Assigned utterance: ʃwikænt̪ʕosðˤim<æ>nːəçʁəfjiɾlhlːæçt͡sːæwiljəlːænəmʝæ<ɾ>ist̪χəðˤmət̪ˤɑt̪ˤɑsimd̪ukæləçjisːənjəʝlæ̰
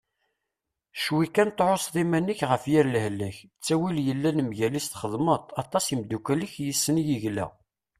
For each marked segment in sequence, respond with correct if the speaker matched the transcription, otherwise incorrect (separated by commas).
correct, incorrect